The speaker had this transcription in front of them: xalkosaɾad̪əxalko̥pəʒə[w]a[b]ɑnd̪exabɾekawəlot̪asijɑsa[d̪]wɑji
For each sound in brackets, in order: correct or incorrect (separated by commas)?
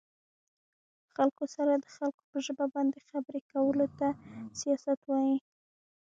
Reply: incorrect, correct, incorrect